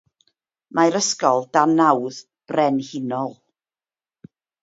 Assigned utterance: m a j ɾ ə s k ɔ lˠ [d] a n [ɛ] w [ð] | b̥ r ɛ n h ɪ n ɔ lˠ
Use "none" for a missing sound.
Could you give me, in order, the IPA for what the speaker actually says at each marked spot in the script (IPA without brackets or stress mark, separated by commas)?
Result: d, a, ð